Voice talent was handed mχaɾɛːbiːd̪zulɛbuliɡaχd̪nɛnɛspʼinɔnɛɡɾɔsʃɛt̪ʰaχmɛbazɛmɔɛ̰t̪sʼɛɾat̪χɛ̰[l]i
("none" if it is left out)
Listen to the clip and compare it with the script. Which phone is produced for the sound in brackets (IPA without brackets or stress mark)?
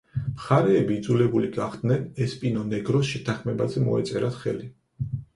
l